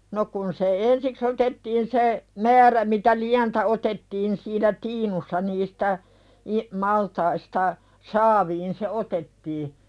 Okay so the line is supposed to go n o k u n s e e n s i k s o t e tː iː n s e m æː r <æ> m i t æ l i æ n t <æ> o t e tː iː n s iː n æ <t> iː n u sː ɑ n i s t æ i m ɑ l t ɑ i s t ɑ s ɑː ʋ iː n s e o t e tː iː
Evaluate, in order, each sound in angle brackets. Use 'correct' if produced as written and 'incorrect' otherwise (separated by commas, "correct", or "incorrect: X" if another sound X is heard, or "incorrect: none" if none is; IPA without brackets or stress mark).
correct, correct, correct